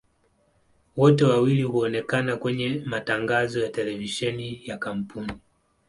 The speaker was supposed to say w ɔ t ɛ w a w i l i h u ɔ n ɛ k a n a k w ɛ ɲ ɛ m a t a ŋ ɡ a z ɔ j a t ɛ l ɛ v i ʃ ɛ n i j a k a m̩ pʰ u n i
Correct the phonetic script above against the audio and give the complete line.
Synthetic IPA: w ɔ t ɛ w a w i l i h u ɔ n ɛ k a n a k w ɛ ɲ ɛ m a t a ŋ ɡ a z ɔ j a t ɛ l ɛ v i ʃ ɛ n i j a k a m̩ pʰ u n i